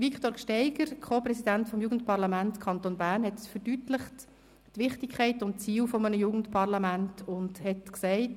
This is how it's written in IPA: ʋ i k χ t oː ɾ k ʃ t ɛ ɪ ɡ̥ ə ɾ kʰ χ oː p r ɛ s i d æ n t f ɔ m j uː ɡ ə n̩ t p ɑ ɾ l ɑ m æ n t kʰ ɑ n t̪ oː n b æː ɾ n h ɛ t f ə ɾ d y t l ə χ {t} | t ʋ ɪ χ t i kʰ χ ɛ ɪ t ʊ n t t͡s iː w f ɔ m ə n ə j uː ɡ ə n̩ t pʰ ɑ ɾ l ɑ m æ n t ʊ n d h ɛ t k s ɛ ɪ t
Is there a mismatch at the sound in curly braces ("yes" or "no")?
no